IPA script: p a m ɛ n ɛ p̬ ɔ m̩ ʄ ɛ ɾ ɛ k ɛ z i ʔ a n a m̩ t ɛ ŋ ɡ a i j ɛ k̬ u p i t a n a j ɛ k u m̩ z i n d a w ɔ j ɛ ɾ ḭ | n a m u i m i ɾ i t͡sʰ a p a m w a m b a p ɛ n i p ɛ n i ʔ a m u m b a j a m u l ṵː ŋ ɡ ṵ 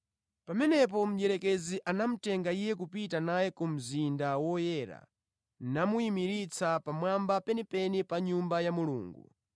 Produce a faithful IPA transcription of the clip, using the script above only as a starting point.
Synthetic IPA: p a m ɛ n ɛ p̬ ɔ m̩ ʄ ɛ ɾ ɛ k ɛ z i ʔ a n a m̩ t ɛ ŋ ɡ a i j ɛ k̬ u p i t a n a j ɛ k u m̩ z i n d a w ɔ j ɛ ɾ a̰ | n a m u i m i ɾ i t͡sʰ a p a m w a m b a p ɛ n i p ɛ n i p a ɲ u m b a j a m u l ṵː ŋ ɡ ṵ